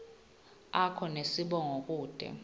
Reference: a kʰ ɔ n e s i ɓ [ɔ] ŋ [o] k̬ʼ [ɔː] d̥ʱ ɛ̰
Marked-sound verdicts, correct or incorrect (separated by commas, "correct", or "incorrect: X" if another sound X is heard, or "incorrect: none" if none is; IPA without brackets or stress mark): correct, correct, incorrect: uː